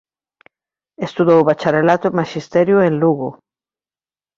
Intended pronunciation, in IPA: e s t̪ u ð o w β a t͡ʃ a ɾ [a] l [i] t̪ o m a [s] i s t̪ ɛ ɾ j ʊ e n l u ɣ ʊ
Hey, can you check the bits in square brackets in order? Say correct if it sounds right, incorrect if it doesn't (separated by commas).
incorrect, incorrect, incorrect